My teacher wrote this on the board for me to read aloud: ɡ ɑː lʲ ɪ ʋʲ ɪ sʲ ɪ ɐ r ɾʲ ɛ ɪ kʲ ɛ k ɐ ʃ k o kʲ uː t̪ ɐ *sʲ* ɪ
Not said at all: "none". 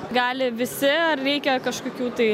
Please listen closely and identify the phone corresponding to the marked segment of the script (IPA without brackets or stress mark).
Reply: none